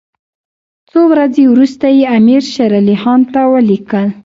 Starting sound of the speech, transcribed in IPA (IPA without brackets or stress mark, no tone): t͡s